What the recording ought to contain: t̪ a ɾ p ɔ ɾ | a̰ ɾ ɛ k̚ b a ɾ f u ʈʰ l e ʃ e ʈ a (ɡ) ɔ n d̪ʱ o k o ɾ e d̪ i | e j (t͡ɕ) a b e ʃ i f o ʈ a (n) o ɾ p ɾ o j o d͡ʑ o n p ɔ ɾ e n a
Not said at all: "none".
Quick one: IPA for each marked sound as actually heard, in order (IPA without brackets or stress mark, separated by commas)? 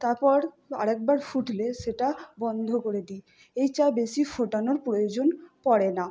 b, t͡ɕ, n